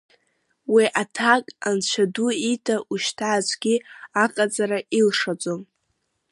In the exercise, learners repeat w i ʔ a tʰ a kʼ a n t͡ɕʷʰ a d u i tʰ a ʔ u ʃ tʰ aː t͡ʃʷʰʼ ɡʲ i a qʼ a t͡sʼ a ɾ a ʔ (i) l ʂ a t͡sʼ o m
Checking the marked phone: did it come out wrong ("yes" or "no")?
no